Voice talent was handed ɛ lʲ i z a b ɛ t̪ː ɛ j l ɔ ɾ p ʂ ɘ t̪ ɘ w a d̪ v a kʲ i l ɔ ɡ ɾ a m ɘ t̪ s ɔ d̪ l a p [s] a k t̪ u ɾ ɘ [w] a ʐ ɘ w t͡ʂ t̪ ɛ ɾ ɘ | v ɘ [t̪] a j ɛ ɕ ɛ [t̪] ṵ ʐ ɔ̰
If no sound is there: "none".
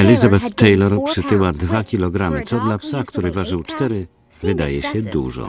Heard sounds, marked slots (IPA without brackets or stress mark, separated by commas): s, v, d̪, d̪